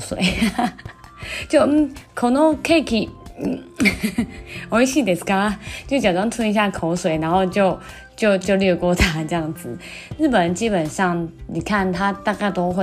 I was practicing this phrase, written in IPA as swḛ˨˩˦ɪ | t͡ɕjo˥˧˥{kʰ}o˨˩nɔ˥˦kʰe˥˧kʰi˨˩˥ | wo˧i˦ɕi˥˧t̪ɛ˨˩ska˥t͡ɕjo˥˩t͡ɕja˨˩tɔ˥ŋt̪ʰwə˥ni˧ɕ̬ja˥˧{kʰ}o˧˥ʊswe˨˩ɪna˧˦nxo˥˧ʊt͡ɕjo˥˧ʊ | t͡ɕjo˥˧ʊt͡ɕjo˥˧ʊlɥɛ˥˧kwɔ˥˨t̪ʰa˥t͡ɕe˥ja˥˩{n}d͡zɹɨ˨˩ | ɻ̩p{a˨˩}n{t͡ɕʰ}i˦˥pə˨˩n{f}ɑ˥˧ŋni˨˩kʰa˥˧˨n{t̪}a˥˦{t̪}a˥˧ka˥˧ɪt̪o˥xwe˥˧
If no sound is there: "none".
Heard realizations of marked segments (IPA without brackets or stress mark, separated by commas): kʰ, kʰ, ŋ, ə˨˩, t͡ɕ, ʂ, t̪ʰ, t̪